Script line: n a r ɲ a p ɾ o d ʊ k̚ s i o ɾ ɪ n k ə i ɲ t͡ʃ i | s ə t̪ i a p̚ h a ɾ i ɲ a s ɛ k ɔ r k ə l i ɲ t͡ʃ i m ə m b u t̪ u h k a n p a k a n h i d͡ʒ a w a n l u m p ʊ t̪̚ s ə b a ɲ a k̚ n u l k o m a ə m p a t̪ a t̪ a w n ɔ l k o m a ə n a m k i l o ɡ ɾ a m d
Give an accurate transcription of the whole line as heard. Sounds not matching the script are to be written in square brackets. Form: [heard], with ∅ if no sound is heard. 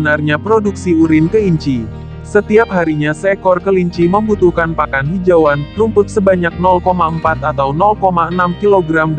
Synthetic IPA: n a r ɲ a p ɾ o d [u] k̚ s i [u] ɾ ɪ n k ə i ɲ t͡ʃ i | s ə t̪ i a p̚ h a ɾ i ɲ a s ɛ k ɔ r k ə l i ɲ t͡ʃ i m ə m b u t̪ u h k a n p a k a n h i d͡ʒ a w a n l u m p ʊ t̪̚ s ə b a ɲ a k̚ n [ɔ] l k o m a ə m p a t̪ a t̪ a w n ɔ l k o m a ə n a m k i l o ɡ ɾ a m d